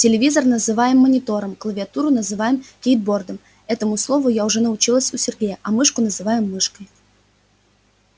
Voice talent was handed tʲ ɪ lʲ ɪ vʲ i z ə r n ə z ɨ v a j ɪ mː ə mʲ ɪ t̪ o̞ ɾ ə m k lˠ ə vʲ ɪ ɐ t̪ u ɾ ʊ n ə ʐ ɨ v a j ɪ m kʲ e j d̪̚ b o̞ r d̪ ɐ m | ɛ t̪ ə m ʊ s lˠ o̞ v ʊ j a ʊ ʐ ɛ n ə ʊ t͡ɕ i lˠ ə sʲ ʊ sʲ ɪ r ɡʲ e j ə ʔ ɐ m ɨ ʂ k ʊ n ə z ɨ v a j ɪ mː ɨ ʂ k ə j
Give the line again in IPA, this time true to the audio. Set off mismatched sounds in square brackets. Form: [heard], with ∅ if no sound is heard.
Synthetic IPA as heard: tʲ ɪ lʲ ɪ vʲ i z ə r n ə z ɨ v a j ɪ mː ə [nʲ] ɪ t̪ o̞ ɾ ə m k lˠ ə vʲ ɪ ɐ t̪ u ɾ ʊ n ə [z] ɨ v a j ɪ m kʲ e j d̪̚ b o̞ r d̪ [ə] m | ɛ t̪ ə m ʊ s lˠ o̞ v ʊ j a ʊ ʐ ɛ n ə ʊ t͡ɕ i lˠ ə sʲ ʊ sʲ ɪ r ɡʲ e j ə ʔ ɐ m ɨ ʂ k ʊ n ə z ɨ v a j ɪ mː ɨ ʂ k ə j